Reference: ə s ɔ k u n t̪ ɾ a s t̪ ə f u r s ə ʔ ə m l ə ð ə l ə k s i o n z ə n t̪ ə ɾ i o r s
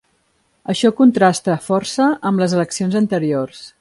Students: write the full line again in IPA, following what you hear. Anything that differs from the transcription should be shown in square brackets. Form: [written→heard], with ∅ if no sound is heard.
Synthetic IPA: ə [s→ʃ] ɔ k u n t̪ ɾ a s t̪ ə f [u→ɔ] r s ə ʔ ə m l ə [ð→z] ə l ə k s i o n z ə n t̪ ə ɾ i o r s